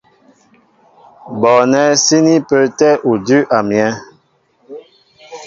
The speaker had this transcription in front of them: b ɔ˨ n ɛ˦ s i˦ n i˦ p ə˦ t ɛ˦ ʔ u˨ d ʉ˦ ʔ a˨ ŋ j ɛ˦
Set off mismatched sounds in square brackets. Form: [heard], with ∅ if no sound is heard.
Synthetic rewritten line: b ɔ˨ n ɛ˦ s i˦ n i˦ p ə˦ t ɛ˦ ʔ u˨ d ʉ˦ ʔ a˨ [m] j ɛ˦